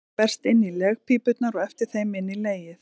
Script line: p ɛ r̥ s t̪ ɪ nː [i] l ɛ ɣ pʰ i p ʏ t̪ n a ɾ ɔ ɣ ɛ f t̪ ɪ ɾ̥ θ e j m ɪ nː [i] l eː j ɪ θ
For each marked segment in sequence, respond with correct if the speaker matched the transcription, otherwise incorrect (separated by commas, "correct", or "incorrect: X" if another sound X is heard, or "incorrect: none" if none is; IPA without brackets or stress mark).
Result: correct, correct